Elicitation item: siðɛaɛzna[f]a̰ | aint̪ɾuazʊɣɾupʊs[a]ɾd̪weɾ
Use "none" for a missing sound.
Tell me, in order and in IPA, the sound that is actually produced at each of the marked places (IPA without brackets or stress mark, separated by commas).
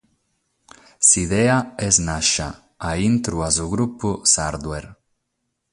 ʃ, a